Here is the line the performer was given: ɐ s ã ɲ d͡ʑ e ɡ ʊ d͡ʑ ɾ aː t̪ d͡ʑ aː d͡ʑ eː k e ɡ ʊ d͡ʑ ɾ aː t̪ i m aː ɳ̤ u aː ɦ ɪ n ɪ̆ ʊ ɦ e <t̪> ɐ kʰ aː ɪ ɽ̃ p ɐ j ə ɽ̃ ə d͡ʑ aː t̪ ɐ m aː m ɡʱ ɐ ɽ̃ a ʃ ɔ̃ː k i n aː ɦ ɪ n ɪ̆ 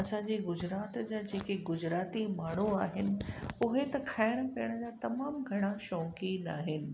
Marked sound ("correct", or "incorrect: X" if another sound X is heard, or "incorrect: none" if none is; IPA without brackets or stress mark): correct